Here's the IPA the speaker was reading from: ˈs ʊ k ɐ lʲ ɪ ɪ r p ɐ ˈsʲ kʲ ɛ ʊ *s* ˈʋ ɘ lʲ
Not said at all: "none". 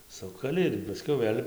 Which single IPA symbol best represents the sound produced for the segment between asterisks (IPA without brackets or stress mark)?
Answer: none